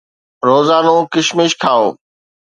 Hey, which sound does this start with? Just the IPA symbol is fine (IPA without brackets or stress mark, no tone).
ɾ